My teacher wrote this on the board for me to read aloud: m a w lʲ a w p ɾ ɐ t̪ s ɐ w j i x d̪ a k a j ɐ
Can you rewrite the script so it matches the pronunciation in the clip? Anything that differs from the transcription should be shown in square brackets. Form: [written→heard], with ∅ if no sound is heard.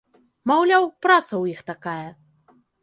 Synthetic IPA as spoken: m a w lʲ a w p ɾ [ɐ→a] t̪ s ɐ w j i x [d̪→t̪] a k a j ɐ

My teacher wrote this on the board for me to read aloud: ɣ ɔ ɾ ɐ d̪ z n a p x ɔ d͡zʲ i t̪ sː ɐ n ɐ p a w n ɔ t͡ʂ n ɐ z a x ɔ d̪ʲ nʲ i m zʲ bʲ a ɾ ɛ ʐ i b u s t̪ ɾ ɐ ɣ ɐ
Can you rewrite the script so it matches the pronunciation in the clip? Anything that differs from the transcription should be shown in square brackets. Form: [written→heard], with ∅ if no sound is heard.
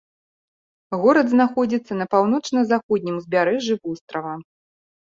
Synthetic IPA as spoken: ɣ ɔ ɾ ɐ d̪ z n a [p→∅] x ɔ d͡zʲ i t̪ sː ɐ n ɐ p a w n ɔ t͡ʂ n ɐ z a x ɔ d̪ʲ nʲ i m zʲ bʲ a ɾ ɛ ʐ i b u s t̪ ɾ ɐ [ɣ→v] ɐ

